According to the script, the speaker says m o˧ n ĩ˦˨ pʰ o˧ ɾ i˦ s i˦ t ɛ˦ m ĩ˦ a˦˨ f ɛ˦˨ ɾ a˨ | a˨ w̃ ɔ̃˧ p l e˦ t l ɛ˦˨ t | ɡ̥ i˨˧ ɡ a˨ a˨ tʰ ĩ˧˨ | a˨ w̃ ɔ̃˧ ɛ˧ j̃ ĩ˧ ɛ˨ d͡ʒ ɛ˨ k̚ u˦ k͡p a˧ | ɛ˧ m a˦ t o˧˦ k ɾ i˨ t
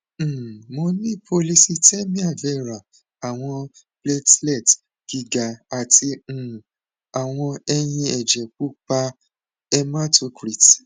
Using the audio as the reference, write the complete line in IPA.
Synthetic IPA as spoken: m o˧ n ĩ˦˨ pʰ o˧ l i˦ s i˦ t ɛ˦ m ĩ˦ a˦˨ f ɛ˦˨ ɾ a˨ | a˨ w̃ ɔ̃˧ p l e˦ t l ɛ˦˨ t | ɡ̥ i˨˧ ɡ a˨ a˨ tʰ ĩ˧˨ | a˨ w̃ ɔ̃˧ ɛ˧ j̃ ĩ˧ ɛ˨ d͡ʒ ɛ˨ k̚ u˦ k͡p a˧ | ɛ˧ m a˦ t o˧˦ k ɾ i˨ t